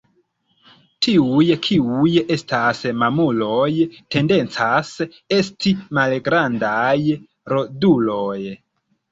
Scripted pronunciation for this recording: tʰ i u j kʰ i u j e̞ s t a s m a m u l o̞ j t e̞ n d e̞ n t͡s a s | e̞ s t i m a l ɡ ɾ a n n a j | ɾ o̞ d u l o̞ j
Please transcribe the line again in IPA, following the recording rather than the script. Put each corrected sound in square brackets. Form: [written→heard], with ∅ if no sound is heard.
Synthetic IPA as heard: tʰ i u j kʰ i u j e̞ s t a s m a m u l o̞ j t e̞ n d e̞ n t͡s a s | e̞ s t i m a l ɡ ɾ a n [n→d] a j | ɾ o̞ d u l o̞ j